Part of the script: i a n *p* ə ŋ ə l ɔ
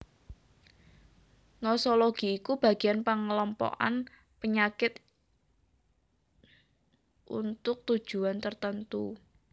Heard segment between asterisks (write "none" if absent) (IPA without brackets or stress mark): p